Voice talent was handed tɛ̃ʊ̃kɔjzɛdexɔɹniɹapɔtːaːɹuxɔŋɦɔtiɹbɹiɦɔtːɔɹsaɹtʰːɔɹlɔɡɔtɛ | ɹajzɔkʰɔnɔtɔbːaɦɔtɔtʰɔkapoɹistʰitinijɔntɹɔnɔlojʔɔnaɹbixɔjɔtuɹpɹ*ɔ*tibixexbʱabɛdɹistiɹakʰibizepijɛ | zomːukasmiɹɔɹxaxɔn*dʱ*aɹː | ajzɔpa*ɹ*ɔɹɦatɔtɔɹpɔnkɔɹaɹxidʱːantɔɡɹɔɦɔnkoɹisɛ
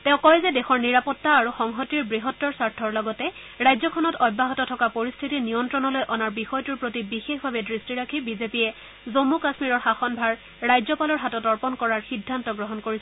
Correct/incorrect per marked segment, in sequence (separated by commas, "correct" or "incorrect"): incorrect, incorrect, incorrect